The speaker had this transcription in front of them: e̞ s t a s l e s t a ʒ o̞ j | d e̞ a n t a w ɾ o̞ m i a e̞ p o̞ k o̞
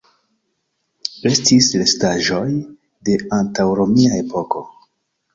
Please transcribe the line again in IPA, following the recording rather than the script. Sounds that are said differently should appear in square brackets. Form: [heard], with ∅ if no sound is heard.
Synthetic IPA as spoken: e̞ s t [i] s l e s t a ʒ o̞ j | d e̞ a n t a w ɾ o̞ m i a e̞ p o̞ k o̞

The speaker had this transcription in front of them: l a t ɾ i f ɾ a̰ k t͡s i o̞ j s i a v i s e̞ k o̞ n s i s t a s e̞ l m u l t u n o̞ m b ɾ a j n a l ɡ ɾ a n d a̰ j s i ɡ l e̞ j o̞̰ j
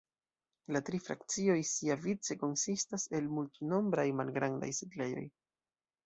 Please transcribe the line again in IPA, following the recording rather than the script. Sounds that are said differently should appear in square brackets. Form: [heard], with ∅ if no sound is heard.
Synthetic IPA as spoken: l a t ɾ i f ɾ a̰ k t͡s i o̞ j s i a v i [t͡s] e̞ k o̞ n s i s t a s e̞ l m u l t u n o̞ m b ɾ a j [m] a l ɡ ɾ a n d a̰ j s i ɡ l e̞ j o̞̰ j

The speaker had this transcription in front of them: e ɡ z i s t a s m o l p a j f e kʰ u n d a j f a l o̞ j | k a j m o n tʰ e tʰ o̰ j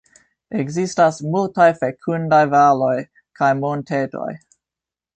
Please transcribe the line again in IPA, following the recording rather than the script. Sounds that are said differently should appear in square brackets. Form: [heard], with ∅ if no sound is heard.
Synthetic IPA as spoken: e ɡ z i s t a s m [u] l [t] a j f e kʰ u n d a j [v] a l o̞ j | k a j m o n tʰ e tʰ o̰ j

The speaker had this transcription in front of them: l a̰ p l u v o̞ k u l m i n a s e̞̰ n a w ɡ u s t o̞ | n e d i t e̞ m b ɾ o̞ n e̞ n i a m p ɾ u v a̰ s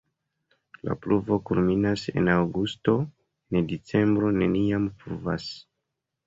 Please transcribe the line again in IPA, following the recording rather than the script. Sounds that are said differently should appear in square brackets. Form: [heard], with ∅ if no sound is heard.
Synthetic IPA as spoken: l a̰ p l u v o̞ k u l m i n a s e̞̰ n a w ɡ u s t o̞ | n e d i [t͡s] e̞ m b ɾ o̞ n e̞ n i a m p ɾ u v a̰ s

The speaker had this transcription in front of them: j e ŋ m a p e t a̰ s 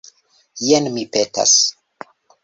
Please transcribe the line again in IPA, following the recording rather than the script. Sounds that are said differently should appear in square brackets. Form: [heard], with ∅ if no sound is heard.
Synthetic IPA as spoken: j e [n] m [i] p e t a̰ s

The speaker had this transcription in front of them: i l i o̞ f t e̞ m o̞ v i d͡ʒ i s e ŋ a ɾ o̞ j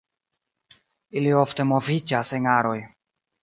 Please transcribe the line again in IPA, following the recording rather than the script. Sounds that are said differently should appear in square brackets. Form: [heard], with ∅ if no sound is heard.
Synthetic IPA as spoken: i l i o̞ f t e̞ m o̞ v i d͡ʒ [a] s e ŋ a ɾ o̞ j

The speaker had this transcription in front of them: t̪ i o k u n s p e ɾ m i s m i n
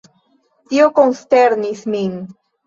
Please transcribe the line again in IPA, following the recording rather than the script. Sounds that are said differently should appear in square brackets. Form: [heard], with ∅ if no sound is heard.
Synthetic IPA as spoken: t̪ i o k [o] n s [t] e ɾ [n] i s m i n

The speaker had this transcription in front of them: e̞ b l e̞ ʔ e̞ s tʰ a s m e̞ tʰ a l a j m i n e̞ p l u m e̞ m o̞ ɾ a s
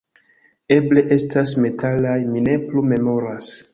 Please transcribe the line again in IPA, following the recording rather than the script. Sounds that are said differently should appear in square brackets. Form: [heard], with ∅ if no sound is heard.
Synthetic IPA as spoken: e̞ b l e̞ ʔ e̞ s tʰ a s m e̞ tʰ a l a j m i n e̞ p l u m e̞ m o̞ ɾ a s

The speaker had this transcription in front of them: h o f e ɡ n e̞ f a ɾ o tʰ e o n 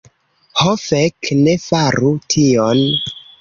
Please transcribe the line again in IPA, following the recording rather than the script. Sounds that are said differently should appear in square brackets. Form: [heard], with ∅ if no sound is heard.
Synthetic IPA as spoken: h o f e [k] n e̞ f a ɾ [u] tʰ [i] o n

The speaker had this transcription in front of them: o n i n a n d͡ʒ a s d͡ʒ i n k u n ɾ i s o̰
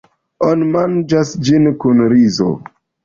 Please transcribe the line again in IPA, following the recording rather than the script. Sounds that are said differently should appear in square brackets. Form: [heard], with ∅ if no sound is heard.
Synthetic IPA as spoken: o n i [m] a n d͡ʒ a s d͡ʒ i n k u n ɾ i [z] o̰

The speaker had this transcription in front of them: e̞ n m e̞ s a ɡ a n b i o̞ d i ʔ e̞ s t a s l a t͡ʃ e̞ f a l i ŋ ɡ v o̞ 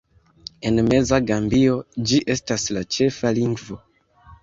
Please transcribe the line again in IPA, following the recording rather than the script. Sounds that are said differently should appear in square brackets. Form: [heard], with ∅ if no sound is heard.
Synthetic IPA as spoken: e̞ n m e̞ [z] a ɡ a [m] b i o̞ [d͡ʒ] i ʔ e̞ s t a s l a t͡ʃ e̞ f a l i ŋ ɡ v o̞

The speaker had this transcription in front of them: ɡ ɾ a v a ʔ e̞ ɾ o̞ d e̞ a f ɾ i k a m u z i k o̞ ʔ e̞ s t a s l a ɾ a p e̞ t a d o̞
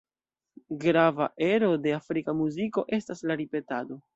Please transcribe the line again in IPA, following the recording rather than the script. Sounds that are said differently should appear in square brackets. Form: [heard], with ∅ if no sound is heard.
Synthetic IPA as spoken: ɡ ɾ a v a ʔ e̞ ɾ o̞ d e̞ a f ɾ i k a m u z i k o̞ ʔ e̞ s t a s l a ɾ [i] p e̞ t a d o̞

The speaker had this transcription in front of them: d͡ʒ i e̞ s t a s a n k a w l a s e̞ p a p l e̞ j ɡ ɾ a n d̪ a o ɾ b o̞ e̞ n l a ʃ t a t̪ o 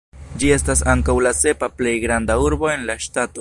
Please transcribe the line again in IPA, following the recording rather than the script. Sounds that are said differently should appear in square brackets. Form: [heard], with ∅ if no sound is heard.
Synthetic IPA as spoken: d͡ʒ i e̞ s t a s a [ŋ] k a w l a s e̞ p a p l e̞ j ɡ ɾ a n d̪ a [u] ɾ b o̞ e̞ n l a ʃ t a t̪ o

